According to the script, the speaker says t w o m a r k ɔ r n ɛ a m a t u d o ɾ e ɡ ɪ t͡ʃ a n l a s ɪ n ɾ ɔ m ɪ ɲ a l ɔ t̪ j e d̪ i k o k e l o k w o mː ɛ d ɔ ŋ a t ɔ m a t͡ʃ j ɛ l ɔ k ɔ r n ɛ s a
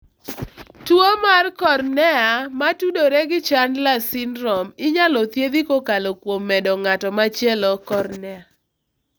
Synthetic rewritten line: t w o m a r k ɔ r n ɛ a m a t u d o ɾ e ɡ ɪ t͡ʃ a n l a s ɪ n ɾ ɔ m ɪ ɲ a l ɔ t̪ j e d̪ i k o k a l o k w o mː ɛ d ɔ ŋ a t ɔ m a t͡ʃ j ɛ l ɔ k ɔ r n ɛ a